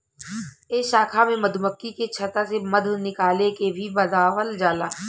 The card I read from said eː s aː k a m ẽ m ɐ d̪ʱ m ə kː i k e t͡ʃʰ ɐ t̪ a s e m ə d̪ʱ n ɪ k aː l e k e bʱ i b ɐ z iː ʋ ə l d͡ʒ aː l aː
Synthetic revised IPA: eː ʃ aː kʰ a m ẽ m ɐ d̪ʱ m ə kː i k e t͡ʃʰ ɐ t̪ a s e m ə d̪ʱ n ɪ k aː l e k e bʱ i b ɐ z aː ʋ ə l d͡ʒ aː l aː

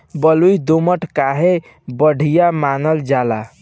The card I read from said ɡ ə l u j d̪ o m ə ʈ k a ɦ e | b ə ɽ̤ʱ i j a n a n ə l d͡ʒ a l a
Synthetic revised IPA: b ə l u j d̪ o m ə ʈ k a ɦ e | b ə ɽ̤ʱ i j a m a n ə l d͡ʒ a l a

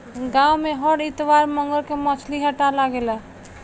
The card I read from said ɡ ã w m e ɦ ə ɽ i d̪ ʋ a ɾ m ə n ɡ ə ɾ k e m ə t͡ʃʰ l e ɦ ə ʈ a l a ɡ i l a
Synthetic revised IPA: ɡ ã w m e ɦ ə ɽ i t̪ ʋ a ɾ m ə ŋ ɡ ə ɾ k e m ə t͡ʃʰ l i ɦ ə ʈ a l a ɡ e l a

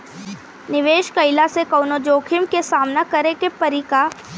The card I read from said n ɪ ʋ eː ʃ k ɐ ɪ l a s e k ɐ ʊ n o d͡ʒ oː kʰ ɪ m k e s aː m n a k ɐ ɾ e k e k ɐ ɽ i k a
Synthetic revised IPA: n ɪ ʋ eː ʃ k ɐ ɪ l a s e k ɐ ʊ n o d͡ʒ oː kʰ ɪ m k e s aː m n a k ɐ ɾ e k e p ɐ ɾ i k a

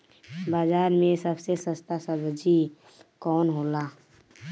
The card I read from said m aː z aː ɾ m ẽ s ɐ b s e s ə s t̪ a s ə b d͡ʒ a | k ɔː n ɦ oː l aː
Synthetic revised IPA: b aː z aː ɾ m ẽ s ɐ b s e s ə s t̪ a s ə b d͡ʒ i | k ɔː n ɦ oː l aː

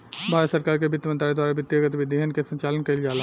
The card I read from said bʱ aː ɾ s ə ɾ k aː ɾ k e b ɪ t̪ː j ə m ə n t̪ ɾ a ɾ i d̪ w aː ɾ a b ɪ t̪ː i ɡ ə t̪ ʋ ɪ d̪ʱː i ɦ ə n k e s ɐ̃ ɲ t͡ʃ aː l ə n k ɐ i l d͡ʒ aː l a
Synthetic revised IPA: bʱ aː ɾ s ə ɾ k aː ɾ k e b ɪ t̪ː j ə m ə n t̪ ɾ a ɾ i d̪ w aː ɾ a b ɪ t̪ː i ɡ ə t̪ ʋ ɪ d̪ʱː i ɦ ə n k e s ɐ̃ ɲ t͡ʃ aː l ə n k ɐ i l d͡ʒ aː l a

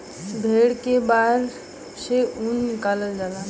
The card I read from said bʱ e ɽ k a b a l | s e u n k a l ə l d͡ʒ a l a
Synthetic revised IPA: bʱ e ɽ k e b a ɾ | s e u n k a l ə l d͡ʒ a l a

